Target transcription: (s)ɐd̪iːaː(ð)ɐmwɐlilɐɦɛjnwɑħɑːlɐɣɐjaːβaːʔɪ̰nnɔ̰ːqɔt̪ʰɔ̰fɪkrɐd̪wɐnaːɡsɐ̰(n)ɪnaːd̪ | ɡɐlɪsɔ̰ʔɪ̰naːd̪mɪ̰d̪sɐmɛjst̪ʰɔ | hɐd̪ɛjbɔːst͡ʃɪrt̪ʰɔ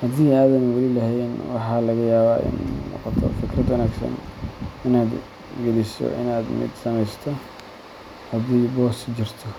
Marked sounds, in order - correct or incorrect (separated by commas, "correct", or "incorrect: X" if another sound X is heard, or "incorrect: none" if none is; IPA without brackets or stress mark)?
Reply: incorrect: h, correct, correct